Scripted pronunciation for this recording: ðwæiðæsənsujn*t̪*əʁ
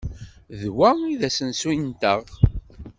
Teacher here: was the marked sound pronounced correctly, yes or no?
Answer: yes